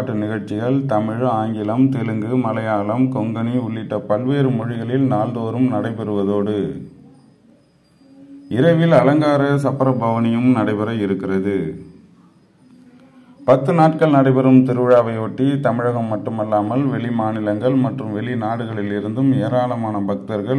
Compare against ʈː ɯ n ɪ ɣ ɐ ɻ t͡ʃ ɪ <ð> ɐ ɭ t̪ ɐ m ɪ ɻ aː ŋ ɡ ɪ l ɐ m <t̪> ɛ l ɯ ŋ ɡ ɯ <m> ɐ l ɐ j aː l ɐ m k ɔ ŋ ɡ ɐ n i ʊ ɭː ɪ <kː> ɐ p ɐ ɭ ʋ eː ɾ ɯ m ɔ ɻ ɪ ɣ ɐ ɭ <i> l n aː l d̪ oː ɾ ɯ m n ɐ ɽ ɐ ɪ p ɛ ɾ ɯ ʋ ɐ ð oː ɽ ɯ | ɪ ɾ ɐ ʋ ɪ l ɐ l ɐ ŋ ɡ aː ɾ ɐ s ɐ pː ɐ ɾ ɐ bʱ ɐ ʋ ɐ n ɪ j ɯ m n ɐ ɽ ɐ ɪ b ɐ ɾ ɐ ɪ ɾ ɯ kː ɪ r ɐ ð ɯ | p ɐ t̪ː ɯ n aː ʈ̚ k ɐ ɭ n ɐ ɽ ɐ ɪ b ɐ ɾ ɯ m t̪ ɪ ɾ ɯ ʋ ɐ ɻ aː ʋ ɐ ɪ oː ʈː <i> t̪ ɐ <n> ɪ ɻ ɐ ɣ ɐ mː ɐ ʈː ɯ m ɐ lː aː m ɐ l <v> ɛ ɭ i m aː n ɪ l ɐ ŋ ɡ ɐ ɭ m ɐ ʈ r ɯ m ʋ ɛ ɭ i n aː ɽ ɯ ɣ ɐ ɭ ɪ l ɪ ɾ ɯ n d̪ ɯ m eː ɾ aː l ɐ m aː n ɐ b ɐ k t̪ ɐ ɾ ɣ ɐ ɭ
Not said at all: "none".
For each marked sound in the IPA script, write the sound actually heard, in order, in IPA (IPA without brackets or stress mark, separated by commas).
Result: ɣ, t̪, m, ʈː, ɪ, i, m, ʋ